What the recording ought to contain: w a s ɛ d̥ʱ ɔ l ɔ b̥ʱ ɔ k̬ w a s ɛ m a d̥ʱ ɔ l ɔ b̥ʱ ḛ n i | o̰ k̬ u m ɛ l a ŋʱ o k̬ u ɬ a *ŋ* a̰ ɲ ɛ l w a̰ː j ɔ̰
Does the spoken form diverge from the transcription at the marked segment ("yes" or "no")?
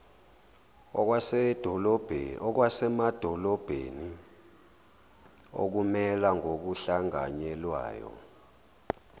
no